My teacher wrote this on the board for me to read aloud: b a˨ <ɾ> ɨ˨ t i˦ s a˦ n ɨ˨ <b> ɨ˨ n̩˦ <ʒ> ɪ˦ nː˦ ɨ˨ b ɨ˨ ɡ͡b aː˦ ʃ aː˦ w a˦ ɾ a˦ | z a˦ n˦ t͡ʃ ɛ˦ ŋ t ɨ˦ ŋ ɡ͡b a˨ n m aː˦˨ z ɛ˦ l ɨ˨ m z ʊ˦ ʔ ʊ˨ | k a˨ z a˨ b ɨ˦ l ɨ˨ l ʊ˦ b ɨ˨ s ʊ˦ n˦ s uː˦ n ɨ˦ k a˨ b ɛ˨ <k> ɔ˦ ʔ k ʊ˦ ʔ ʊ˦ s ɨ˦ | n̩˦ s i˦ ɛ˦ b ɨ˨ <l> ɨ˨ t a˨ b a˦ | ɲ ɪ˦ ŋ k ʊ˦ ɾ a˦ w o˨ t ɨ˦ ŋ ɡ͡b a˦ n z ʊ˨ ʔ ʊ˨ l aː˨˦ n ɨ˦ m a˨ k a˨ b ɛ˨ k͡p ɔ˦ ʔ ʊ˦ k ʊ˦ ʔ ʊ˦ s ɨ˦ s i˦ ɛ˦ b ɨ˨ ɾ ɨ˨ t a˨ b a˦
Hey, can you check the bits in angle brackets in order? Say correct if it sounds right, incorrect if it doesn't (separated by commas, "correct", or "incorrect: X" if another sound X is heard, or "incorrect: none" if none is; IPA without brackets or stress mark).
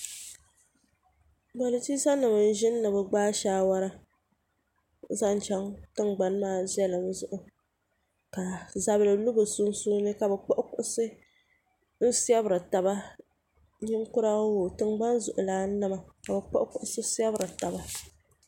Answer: incorrect: l, incorrect: m, correct, incorrect: k͡p, incorrect: ɾ